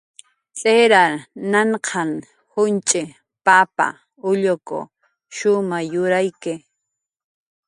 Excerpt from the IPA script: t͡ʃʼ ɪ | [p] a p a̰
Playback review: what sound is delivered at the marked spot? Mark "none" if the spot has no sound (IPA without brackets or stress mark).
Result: p